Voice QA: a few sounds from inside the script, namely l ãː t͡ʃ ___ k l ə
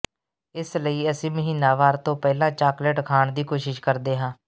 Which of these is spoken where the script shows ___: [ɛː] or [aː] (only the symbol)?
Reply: aː